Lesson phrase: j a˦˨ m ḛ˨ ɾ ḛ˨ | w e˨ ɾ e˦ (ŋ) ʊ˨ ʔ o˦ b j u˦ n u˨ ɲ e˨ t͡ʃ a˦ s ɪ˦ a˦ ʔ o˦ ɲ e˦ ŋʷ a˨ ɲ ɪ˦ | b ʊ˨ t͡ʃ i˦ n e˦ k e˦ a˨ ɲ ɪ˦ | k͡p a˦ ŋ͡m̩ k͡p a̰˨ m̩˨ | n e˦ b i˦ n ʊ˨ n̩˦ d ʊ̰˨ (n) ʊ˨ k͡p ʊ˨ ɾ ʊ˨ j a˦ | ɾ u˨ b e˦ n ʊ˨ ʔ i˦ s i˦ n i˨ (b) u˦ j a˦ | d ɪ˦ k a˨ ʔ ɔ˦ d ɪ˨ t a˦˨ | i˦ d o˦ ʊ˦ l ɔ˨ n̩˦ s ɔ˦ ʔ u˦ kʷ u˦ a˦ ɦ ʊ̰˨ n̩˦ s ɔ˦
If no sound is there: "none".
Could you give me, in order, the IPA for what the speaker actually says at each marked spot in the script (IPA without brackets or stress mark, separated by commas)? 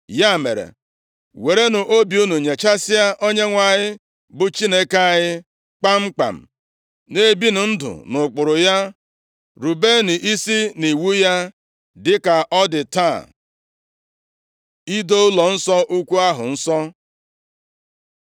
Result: n, n, w